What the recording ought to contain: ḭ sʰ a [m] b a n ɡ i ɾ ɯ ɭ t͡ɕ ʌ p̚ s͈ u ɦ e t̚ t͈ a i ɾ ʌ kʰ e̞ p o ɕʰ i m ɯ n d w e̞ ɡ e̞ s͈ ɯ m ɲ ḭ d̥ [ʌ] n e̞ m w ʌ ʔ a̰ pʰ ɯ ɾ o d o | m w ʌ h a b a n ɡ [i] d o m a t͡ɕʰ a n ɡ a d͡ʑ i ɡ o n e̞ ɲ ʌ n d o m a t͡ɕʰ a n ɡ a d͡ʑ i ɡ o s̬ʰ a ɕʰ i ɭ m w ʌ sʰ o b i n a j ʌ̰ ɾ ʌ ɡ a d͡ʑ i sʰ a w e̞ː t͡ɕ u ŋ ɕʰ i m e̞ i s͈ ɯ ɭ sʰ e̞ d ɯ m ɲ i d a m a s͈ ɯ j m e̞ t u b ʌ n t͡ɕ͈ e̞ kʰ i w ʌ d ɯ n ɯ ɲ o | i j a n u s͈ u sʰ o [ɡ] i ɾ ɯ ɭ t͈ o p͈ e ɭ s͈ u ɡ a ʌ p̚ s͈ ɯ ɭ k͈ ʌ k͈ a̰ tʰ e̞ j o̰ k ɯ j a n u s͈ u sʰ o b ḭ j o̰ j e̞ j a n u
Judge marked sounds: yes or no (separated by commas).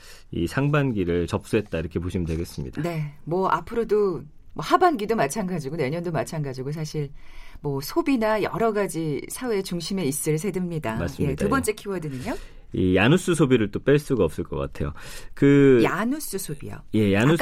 no, no, yes, no